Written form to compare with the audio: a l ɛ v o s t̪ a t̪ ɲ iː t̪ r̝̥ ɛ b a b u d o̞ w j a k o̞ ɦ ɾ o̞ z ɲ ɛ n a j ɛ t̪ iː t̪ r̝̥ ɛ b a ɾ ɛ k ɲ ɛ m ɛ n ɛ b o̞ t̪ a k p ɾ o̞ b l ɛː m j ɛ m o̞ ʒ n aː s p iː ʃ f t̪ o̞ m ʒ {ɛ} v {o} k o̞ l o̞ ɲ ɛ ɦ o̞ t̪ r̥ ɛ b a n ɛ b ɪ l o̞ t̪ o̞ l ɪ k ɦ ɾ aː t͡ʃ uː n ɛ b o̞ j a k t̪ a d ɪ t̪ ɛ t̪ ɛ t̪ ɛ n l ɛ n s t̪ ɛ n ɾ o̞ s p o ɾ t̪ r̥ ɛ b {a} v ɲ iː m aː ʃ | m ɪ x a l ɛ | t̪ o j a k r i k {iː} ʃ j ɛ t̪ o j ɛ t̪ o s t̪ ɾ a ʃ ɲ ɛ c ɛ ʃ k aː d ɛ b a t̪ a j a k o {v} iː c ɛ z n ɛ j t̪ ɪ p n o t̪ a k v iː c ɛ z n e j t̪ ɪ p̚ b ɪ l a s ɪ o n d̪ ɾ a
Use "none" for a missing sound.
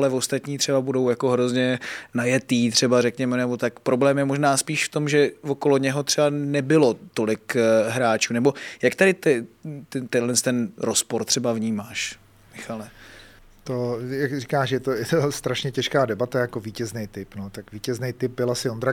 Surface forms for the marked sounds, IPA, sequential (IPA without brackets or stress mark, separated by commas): ɛ, o, a, aː, v